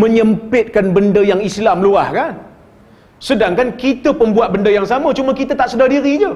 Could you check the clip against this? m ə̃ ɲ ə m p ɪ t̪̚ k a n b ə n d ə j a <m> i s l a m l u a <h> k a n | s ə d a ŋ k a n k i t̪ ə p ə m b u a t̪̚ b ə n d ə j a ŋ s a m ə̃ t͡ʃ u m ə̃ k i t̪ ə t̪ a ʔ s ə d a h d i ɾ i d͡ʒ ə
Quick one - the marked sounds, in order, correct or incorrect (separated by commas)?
incorrect, correct